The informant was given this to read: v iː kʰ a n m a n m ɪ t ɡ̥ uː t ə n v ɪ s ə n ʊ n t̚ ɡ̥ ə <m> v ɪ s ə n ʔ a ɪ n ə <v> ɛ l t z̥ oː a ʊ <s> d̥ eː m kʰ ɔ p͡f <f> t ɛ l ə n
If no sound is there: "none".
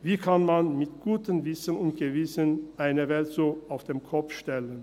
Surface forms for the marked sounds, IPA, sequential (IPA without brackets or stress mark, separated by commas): none, v, f, ʃ